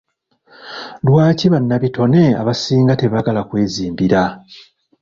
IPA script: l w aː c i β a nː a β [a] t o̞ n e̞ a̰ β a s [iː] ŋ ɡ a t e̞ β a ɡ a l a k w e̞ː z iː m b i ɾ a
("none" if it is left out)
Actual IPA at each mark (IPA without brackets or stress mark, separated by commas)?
i, iː